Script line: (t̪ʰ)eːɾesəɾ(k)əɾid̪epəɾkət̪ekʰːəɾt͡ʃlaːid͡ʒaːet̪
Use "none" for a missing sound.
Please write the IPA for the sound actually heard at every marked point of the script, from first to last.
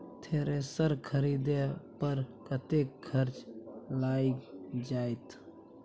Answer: t̪ʰ, kʰ

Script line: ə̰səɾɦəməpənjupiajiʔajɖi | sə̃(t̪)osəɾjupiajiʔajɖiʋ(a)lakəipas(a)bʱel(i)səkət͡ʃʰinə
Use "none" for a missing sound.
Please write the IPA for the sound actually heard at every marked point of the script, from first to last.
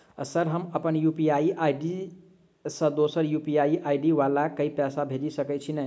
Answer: d̪, a, a, i

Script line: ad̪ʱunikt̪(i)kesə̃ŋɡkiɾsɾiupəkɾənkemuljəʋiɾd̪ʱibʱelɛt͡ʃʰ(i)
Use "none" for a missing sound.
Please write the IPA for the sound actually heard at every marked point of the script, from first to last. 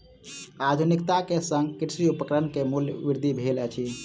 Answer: a, i

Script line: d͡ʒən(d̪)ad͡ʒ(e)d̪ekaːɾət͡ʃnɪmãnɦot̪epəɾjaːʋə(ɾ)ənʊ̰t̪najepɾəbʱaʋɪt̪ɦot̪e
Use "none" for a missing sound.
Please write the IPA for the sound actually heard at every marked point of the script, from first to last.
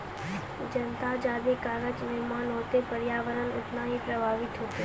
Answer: t̪, a, ɾ

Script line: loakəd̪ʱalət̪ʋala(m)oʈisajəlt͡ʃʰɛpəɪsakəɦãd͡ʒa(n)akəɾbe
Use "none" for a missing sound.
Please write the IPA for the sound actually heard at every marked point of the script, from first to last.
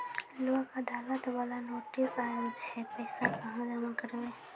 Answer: n, m

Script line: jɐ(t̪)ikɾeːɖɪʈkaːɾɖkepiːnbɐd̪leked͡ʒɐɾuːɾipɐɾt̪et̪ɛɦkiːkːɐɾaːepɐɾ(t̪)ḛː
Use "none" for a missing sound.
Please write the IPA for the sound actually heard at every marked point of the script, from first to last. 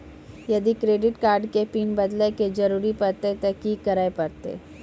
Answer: d̪, t̪

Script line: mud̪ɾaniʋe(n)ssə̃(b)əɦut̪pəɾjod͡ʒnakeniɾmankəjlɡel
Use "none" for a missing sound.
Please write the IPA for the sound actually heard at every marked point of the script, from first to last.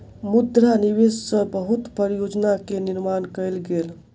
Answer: none, b

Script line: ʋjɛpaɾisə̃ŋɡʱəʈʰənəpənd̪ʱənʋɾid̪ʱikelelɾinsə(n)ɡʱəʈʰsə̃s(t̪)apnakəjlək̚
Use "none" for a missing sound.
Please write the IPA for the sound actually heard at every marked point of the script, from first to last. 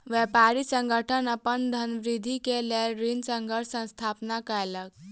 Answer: ŋ, t̪ʰ

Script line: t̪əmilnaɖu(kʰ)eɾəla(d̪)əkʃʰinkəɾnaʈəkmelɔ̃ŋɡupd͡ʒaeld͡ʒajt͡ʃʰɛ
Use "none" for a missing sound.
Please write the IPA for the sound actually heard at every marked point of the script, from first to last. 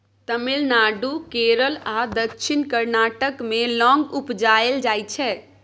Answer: k, d̪

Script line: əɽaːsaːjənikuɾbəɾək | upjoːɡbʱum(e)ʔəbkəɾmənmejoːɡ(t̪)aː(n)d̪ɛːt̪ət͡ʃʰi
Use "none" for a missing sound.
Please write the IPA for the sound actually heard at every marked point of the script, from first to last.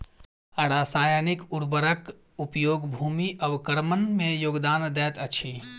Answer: i, d̪, n

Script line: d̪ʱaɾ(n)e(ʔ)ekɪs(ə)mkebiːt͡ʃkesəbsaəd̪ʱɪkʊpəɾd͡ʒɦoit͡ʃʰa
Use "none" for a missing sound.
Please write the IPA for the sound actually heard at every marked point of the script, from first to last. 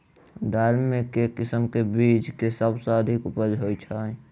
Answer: m, k, ə

